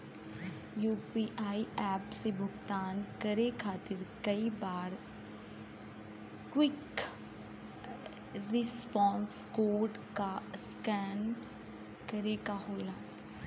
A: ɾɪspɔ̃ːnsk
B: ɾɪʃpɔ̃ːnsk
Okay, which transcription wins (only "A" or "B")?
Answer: A